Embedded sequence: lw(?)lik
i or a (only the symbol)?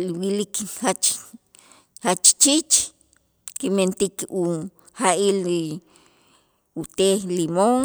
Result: i